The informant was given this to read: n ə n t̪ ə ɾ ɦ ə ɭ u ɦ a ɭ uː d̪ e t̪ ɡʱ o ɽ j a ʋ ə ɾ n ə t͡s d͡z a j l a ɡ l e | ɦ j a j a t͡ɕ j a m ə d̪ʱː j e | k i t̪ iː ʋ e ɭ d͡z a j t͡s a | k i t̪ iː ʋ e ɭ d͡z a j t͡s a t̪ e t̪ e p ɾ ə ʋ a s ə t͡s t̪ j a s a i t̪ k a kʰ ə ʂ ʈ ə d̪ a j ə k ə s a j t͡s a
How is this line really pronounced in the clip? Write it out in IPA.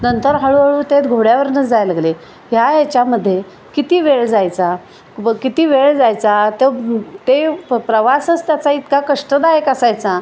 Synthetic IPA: n ə n t̪ ə ɾ ɦ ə ɭ u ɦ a ɭ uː t̪ e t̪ ɡʱ o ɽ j a ʋ ə ɾ n ə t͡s d͡z a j l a ɡ l e | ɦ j a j a t͡ɕ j a m ə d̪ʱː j e | k i t̪ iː ʋ e ɭ d͡z a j t͡s a | k i t̪ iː ʋ e ɭ d͡z a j t͡s a t̪ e t̪ e p ɾ ə ʋ a s ə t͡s t̪ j a t͡s a i t̪ k a k ə ʂ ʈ ə d̪ a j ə k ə s a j t͡s a